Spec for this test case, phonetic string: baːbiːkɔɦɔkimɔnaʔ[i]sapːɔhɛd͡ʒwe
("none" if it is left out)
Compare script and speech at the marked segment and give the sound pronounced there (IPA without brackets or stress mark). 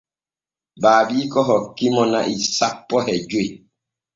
i